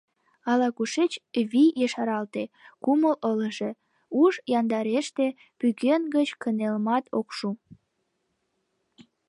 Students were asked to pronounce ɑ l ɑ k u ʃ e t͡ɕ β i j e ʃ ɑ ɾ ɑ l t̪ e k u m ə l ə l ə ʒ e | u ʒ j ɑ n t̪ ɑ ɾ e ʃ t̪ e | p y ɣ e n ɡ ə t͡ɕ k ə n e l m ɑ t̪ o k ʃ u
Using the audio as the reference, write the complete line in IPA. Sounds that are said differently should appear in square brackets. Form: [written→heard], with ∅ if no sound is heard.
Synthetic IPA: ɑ l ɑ k u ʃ e t͡ɕ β i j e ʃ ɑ ɾ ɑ l t̪ e k u m ə l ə l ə ʒ e | u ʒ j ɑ n [t̪→d̪] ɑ ɾ e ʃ t̪ e | p y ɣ e n ɡ ə t͡ɕ k ə n e l m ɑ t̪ o k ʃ u